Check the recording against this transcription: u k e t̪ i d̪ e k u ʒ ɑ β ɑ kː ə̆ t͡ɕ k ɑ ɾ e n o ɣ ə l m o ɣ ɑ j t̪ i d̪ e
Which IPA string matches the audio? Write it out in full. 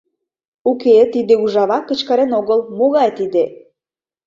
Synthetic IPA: u k e t̪ i d̪ e u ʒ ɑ β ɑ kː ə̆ t͡ɕ k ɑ ɾ e n o ɣ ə l m o ɣ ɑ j t̪ i d̪ e